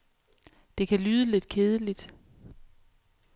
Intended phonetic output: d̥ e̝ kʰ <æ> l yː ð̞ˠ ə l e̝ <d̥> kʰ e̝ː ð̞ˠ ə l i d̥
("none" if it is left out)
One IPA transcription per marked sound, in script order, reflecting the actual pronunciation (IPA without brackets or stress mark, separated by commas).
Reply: æ, d̥